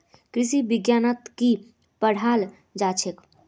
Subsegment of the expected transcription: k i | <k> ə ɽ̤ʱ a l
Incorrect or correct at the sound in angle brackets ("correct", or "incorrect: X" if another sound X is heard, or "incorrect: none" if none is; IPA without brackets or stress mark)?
incorrect: p